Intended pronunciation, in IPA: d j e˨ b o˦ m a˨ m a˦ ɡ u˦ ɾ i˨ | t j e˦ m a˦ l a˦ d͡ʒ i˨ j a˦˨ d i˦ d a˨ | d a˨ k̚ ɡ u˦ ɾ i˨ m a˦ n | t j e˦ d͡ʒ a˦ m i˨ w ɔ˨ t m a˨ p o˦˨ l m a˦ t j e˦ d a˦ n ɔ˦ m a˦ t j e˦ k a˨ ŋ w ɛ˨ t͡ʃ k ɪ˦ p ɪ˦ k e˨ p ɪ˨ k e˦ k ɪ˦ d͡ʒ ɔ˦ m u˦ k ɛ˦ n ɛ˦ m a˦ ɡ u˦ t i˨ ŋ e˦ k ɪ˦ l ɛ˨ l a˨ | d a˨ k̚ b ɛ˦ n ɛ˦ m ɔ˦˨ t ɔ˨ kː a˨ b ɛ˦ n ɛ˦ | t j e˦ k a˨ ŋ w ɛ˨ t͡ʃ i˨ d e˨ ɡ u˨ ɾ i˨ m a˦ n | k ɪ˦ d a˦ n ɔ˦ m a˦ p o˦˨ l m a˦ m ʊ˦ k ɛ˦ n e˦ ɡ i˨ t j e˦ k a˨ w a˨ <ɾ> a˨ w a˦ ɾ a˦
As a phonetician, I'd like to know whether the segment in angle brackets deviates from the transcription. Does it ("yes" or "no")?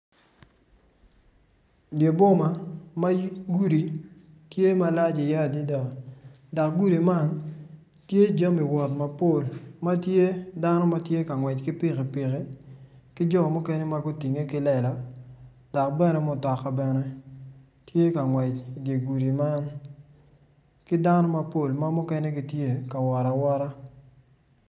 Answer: no